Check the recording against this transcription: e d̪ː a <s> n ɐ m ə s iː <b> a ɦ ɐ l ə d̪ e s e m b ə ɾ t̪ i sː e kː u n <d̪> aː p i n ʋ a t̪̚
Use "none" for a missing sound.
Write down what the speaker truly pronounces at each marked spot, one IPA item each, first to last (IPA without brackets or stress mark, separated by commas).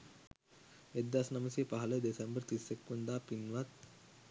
s, p, d̪